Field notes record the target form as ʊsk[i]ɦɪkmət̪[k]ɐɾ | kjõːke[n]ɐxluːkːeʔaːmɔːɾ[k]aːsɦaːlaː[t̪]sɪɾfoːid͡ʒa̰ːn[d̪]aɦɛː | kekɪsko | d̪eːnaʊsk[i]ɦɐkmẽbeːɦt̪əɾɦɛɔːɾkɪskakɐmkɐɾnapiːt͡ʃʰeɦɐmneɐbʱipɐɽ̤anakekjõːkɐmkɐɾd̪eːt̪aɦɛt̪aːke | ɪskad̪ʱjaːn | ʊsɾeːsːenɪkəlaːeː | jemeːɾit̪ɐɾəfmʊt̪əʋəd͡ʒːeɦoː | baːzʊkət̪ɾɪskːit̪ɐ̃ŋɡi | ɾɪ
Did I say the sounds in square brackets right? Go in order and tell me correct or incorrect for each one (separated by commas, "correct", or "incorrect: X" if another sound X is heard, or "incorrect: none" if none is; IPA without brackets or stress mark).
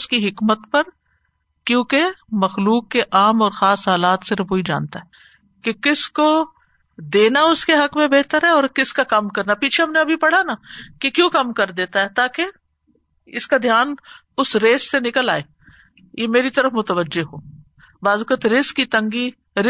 correct, incorrect: p, incorrect: m, incorrect: x, correct, incorrect: t̪, incorrect: e